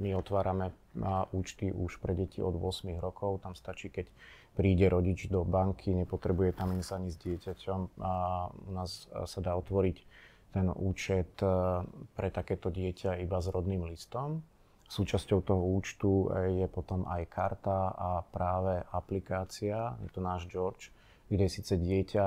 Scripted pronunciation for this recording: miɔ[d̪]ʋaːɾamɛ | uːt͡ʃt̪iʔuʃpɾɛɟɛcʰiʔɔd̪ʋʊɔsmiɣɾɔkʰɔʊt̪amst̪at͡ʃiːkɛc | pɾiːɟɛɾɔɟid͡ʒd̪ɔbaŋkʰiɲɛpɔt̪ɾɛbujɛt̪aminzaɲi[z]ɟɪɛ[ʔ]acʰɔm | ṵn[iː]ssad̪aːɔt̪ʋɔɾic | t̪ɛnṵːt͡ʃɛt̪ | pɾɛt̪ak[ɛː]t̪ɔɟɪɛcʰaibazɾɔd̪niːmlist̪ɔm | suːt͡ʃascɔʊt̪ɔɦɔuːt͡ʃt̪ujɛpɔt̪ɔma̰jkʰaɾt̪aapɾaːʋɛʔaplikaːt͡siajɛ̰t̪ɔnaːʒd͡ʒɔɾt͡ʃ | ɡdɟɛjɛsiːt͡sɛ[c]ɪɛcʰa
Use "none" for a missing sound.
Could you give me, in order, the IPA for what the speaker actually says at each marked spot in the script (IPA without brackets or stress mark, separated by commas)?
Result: t̪, z, c, aː, ɛː, ɟ